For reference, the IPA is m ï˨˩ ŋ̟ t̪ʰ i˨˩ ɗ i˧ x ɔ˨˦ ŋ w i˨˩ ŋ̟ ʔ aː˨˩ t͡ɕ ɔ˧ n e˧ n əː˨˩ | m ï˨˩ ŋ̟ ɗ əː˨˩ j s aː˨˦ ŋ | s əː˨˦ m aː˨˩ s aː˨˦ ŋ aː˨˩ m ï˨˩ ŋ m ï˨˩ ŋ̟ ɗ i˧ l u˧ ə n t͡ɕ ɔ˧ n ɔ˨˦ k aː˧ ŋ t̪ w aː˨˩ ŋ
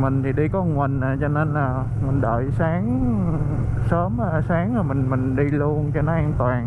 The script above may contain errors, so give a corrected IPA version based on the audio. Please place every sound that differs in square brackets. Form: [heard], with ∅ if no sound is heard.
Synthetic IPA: m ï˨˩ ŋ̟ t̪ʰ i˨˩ ɗ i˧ [k] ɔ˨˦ ŋ w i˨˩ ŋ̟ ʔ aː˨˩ t͡ɕ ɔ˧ n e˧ n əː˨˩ | m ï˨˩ ŋ̟ ɗ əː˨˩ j s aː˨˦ ŋ | s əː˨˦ m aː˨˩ s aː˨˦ ŋ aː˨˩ m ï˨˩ ŋ m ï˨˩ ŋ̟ ɗ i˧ l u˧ ə n t͡ɕ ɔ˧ n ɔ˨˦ [ʔ] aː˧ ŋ t̪ w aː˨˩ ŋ